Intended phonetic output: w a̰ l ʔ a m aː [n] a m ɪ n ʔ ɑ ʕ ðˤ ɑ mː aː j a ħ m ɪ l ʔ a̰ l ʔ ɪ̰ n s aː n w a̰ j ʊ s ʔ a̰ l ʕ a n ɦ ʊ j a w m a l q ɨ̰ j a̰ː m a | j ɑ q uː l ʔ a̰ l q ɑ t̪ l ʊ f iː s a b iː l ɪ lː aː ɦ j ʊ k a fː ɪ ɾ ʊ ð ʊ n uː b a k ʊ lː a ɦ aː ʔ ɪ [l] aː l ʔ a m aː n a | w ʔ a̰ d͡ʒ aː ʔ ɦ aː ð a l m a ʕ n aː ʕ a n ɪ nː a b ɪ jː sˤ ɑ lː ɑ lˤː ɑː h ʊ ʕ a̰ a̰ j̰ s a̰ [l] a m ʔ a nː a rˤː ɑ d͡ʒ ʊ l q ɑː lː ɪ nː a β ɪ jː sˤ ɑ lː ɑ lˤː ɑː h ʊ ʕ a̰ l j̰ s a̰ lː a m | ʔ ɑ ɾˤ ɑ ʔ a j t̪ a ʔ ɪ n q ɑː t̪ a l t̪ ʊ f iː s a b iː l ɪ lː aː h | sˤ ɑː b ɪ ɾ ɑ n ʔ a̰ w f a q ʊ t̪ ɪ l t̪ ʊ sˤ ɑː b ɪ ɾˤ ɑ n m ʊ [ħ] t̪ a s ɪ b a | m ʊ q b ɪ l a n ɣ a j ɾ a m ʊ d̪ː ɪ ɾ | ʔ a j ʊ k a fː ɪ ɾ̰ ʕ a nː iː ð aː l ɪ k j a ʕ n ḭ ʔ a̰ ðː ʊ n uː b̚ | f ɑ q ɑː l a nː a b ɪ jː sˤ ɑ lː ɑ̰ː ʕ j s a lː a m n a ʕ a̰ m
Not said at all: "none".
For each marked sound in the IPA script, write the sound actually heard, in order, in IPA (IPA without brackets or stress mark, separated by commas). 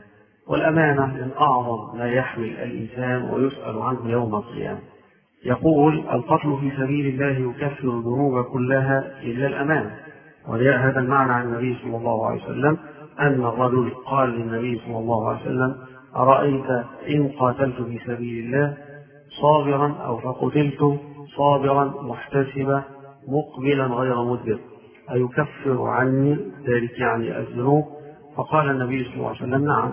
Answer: n, lː, lː, ħ